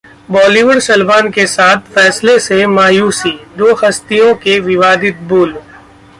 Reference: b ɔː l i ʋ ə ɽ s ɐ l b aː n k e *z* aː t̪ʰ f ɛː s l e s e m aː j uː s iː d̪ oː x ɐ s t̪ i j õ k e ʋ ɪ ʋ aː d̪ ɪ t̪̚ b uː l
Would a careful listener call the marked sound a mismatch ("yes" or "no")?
yes